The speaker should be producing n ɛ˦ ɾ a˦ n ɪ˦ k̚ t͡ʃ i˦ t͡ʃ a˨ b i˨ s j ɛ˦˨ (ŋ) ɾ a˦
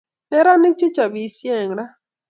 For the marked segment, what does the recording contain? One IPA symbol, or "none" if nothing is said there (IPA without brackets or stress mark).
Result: ŋ